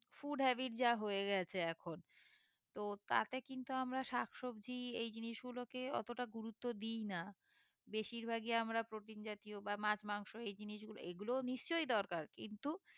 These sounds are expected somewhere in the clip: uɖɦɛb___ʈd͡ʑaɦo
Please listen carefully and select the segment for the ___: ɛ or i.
i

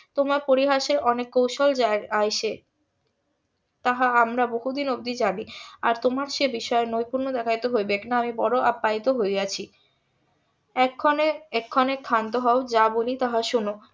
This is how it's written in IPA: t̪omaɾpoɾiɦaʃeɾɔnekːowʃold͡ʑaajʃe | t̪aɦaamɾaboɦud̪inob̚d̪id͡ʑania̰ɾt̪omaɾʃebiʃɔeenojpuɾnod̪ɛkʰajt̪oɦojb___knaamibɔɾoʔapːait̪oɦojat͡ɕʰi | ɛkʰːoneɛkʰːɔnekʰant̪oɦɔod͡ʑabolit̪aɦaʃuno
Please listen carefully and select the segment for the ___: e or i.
e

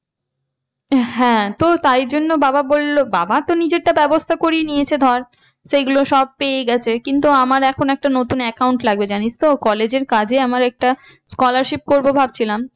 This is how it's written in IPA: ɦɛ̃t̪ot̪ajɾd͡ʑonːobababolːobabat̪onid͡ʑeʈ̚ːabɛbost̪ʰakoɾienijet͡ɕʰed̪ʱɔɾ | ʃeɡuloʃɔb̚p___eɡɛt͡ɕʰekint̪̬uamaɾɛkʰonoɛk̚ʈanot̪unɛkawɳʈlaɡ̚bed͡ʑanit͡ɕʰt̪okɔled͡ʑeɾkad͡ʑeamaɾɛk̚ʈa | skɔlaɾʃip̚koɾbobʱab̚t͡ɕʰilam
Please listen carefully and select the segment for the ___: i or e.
e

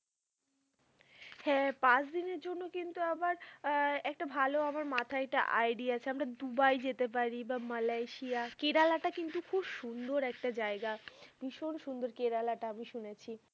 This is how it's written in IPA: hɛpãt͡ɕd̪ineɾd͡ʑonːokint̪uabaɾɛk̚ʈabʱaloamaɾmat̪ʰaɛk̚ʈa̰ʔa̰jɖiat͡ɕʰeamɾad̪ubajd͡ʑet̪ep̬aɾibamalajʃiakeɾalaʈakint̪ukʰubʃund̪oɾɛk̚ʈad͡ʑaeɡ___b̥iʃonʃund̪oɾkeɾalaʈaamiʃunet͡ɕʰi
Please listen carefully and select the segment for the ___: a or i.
a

